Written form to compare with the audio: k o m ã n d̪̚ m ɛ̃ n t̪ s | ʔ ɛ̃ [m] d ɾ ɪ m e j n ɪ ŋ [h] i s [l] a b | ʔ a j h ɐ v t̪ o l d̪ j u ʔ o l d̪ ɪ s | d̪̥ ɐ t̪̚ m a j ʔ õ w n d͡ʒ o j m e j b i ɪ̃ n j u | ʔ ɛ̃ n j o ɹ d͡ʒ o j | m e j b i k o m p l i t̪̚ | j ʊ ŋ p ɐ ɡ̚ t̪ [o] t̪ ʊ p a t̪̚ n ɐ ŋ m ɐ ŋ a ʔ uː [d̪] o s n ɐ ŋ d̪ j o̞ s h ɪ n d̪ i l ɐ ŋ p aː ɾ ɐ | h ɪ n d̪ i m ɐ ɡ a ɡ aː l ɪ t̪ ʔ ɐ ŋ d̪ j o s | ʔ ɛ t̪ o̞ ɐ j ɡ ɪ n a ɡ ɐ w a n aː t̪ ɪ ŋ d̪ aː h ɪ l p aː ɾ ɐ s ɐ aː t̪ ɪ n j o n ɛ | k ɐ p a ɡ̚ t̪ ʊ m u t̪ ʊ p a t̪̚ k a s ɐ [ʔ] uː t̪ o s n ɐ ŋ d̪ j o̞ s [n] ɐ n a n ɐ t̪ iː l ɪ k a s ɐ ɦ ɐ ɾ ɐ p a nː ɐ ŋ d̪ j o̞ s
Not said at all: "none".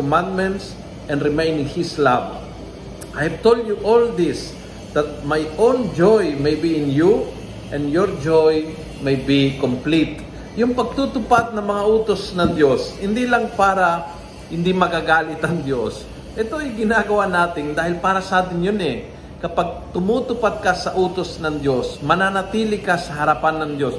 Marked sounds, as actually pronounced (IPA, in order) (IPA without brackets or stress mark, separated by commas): n, h, l, u, t̪, ʔ, m